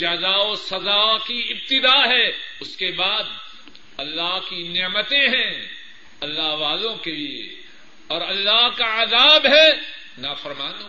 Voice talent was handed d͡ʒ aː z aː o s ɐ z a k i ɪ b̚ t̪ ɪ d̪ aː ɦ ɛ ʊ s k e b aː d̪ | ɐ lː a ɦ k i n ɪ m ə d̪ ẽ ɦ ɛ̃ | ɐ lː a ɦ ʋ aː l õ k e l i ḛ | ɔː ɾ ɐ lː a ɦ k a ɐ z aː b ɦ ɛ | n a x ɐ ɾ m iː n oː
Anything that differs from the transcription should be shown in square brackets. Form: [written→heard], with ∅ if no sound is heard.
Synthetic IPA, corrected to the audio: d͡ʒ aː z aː o s ɐ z a k i ɪ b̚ t̪ ɪ d̪ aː ɦ ɛ ʊ s k e b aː d̪ | ɐ lː a ɦ k i n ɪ m ə [d̪→t̪] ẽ ɦ ɛ̃ | ɐ lː a ɦ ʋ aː l õ k e l i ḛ | ɔː ɾ ɐ lː a ɦ k a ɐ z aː b ɦ ɛ | n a [x→f] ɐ ɾ m [iː→aː] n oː